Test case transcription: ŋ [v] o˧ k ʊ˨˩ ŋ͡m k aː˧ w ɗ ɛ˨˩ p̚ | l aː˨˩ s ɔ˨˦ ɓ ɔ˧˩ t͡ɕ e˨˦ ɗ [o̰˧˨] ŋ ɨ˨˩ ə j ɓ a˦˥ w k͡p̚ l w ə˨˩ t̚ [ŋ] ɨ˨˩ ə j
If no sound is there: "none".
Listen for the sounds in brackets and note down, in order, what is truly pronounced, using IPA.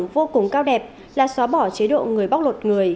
v, o̰˧˨, ŋ

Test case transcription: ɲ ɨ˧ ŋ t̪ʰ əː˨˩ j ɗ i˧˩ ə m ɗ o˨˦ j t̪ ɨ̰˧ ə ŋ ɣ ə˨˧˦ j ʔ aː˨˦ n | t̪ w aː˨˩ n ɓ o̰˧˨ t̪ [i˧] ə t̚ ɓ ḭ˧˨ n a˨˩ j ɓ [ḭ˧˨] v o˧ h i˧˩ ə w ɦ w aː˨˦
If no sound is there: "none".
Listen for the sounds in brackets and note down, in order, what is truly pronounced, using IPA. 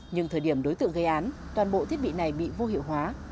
i˦˥, ḭ˧˨

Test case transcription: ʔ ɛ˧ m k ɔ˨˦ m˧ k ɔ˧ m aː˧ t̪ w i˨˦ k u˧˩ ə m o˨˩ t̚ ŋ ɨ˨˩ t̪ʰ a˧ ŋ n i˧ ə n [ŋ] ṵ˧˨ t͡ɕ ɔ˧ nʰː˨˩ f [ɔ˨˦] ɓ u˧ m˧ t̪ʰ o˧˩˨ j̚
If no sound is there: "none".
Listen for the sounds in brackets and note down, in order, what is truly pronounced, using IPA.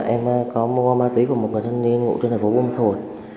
ŋ, o˨˦

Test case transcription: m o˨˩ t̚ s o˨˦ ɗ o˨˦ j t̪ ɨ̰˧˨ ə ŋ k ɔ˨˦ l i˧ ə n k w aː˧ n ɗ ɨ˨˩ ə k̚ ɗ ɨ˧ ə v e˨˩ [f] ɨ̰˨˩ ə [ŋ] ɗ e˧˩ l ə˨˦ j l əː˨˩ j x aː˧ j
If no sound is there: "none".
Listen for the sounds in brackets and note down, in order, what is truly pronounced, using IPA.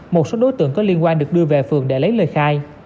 f, ŋ

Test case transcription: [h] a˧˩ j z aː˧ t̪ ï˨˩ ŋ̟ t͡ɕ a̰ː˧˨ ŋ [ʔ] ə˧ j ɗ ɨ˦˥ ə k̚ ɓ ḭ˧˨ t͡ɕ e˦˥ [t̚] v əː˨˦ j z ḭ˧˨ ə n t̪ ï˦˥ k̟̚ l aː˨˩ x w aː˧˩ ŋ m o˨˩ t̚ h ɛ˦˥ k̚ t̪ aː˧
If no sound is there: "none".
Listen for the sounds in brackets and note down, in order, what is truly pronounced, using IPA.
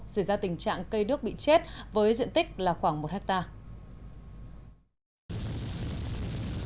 s, k, t̚

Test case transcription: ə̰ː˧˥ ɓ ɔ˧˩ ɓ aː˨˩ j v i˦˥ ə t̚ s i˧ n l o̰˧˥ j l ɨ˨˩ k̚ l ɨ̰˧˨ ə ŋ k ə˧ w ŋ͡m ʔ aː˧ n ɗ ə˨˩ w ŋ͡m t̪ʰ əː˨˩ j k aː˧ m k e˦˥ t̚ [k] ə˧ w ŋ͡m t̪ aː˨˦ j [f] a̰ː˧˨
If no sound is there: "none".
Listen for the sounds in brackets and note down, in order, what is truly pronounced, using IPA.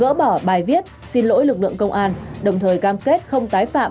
x, f

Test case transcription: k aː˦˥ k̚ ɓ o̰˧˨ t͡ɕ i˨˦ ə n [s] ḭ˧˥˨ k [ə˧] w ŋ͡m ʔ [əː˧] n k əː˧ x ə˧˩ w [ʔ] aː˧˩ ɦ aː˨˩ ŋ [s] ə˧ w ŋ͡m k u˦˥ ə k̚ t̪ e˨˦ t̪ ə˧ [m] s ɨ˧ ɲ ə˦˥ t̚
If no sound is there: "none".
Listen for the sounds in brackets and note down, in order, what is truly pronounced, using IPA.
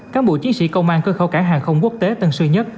s, ə˧, aː˧, k, x, n

